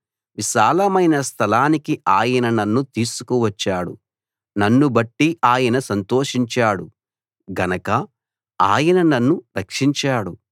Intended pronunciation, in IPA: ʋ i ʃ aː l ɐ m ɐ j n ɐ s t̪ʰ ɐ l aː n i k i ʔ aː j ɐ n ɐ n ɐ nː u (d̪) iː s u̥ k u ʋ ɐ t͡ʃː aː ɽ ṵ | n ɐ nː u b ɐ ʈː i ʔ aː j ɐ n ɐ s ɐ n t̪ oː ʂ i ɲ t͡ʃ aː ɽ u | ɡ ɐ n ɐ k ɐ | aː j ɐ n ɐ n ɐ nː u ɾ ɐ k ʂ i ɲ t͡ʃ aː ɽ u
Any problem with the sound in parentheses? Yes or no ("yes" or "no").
yes